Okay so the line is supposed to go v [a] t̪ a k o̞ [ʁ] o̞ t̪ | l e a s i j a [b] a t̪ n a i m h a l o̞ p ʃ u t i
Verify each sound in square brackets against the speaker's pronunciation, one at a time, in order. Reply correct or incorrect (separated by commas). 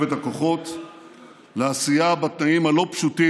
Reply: incorrect, incorrect, correct